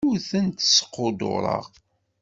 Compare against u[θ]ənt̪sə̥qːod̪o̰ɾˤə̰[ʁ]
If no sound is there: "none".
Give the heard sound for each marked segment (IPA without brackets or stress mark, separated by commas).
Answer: θ, ʁ